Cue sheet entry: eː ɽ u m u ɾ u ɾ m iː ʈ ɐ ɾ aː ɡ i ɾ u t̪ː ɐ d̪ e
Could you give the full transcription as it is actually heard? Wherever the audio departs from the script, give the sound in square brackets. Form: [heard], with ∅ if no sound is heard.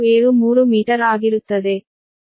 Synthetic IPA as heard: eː [ɾ] u m [uː] ɾ u [∅] m iː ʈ ɐ ɾ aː ɡ i ɾ u t̪ː ɐ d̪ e